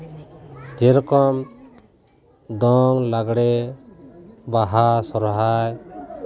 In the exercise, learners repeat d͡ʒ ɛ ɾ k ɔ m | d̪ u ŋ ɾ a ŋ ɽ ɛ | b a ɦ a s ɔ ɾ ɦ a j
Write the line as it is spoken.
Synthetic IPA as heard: d͡ʒ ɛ ɾ k ɔ m | d̪ ɔ ŋ l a ɡ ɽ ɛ | b a ɦ a s ɔ ɾ ɦ a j